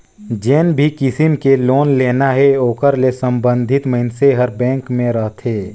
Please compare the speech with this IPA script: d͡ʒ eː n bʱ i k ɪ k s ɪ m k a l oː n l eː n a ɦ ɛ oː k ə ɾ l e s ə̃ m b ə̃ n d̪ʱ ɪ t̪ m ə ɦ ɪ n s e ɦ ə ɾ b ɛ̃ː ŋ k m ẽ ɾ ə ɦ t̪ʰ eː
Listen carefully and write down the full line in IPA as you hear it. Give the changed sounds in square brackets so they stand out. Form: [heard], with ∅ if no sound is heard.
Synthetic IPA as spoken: d͡ʒ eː n bʱ i k ɪ [∅] s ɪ m k [e] l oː n l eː n a ɦ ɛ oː k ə ɾ l e s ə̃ m b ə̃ n d̪ʱ ɪ t̪ m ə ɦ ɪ n s e ɦ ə ɾ b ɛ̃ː ŋ k m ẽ ɾ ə ɦ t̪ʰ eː